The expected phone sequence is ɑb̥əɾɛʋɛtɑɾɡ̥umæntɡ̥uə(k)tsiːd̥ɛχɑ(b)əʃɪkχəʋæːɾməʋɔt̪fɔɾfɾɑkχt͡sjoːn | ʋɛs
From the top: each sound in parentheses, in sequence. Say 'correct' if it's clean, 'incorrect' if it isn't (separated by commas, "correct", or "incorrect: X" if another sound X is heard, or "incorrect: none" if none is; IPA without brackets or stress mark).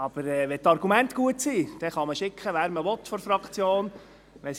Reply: incorrect: none, incorrect: m